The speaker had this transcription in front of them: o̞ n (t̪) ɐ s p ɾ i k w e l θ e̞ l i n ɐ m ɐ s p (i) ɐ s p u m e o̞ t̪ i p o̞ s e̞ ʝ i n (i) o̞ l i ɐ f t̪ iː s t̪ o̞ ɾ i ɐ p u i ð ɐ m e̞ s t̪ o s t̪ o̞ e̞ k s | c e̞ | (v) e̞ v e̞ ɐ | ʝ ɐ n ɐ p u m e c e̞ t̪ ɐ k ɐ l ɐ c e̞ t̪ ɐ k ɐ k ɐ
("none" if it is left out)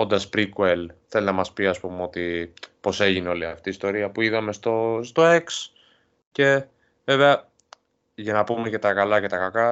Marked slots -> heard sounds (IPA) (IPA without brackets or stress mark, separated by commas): d̪, i, e, v